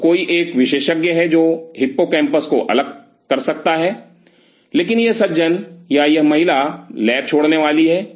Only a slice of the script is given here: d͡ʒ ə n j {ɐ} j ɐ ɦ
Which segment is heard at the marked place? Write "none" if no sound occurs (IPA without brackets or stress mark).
a